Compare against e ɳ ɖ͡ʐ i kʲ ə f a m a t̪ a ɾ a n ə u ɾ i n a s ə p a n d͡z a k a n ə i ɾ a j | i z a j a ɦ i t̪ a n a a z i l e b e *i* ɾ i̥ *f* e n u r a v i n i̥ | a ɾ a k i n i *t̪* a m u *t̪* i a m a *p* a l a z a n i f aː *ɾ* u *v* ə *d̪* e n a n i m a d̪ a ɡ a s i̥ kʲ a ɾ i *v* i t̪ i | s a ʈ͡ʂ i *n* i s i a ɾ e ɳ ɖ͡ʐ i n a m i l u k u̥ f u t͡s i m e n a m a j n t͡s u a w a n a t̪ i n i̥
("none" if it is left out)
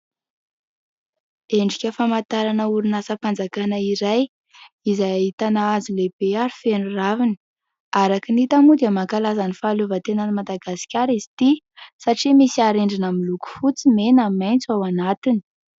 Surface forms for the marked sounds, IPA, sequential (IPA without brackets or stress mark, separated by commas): a, f, t̪, d̪, k, l, v, t̪, z, m